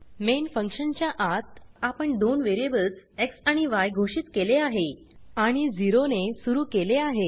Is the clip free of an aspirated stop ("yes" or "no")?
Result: yes